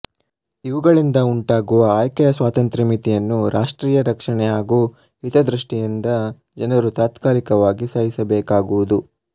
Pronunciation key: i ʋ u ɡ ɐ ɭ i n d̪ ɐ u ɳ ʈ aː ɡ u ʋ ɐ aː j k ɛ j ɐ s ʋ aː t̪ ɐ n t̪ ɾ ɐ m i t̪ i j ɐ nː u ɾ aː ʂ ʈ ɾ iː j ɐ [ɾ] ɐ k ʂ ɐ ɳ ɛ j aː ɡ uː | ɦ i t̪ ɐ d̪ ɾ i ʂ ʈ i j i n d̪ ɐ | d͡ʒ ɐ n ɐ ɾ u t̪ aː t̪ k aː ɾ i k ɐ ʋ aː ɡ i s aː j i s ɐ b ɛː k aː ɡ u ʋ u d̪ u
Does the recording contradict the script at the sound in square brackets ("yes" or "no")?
no